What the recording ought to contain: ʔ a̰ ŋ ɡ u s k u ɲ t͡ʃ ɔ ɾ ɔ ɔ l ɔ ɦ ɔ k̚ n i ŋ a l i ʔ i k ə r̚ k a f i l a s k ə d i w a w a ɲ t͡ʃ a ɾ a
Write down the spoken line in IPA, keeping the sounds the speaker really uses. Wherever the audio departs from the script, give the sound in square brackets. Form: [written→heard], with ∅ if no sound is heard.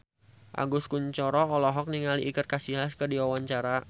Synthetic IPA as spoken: ʔ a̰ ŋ ɡ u s k u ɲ t͡ʃ ɔ ɾ ɔ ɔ l ɔ ɦ ɔ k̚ n i ŋ a l i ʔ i k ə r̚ k a [f→s] i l a s k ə d i w a w a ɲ t͡ʃ a ɾ a